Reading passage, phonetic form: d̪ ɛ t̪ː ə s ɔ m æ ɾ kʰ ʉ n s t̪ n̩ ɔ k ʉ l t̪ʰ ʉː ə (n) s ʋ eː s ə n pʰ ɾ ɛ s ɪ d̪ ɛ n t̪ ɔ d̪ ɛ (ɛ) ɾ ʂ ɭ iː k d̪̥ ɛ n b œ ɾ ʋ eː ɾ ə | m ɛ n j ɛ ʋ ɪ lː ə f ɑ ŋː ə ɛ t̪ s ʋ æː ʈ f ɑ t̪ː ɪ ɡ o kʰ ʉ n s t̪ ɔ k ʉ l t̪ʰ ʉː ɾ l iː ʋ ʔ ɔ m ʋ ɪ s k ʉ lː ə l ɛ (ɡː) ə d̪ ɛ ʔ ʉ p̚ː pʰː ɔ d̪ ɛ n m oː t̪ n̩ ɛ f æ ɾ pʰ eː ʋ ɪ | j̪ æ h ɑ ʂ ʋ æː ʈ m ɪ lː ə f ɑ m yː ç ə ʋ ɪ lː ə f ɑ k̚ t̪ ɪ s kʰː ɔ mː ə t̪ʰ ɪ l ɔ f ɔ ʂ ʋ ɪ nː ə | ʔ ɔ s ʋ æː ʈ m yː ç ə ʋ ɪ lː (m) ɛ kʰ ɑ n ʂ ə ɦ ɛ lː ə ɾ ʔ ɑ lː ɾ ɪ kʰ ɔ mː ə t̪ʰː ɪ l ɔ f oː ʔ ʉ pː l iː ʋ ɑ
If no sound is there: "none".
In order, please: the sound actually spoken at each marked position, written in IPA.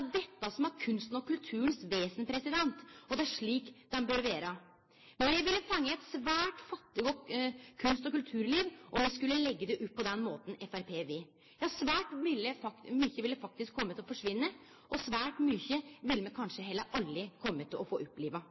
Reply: n, æ, ɡː, m

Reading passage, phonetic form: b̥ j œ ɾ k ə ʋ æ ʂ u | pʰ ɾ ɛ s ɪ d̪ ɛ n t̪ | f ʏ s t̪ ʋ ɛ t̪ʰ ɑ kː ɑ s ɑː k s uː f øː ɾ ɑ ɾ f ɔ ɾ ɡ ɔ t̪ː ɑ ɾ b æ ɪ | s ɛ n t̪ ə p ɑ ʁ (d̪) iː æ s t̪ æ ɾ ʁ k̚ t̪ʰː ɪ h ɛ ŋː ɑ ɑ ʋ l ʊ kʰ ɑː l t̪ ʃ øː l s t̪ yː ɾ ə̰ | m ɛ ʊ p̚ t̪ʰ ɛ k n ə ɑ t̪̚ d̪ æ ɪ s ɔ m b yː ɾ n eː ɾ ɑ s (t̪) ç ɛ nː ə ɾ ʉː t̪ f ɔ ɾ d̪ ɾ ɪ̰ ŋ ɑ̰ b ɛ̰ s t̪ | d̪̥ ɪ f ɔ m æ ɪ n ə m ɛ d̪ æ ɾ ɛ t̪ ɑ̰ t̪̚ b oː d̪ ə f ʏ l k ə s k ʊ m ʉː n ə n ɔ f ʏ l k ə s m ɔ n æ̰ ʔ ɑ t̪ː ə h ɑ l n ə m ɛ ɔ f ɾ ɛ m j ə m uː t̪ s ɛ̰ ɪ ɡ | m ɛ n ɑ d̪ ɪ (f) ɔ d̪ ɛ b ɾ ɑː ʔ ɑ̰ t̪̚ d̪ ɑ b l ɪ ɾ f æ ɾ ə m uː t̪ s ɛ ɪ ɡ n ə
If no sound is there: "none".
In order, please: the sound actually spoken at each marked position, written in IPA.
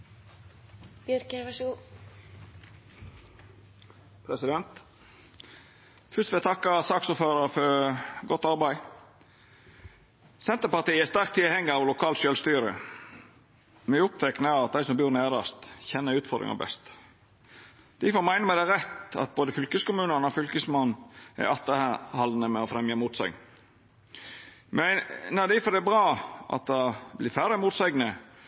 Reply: t̪, t̪, f

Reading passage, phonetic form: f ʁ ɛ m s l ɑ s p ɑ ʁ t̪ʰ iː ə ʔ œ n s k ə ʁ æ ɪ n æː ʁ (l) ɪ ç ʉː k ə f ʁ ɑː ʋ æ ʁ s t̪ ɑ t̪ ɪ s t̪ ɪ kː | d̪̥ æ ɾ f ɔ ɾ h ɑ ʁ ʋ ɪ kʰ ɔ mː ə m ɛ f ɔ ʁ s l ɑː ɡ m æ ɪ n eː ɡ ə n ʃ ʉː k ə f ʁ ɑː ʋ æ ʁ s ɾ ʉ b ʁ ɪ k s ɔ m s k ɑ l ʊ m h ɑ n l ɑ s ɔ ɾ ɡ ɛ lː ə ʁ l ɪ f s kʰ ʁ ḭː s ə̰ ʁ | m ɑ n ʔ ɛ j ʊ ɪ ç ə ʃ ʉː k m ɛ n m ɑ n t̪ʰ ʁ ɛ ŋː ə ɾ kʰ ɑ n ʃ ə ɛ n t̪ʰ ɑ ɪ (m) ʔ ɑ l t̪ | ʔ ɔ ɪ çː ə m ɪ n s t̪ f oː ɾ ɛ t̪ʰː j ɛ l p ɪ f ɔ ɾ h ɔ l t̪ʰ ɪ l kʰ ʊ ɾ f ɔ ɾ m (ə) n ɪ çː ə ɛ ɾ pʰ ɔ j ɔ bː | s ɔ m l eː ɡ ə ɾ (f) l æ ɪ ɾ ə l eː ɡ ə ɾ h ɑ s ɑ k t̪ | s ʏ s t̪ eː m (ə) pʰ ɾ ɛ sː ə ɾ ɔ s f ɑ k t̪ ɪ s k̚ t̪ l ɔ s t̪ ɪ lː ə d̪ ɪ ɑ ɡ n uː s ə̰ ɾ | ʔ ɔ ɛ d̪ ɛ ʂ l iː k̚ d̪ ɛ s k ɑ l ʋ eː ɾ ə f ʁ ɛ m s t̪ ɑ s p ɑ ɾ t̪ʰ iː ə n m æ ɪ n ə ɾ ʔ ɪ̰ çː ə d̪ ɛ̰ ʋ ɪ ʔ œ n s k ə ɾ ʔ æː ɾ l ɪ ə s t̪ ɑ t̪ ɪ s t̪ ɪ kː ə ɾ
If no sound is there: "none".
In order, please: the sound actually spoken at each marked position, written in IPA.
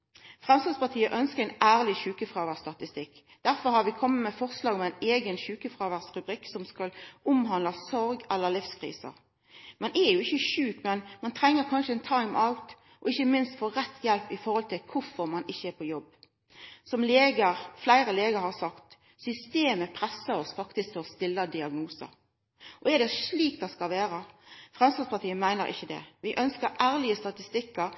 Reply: l, m, ɑ, f, ə

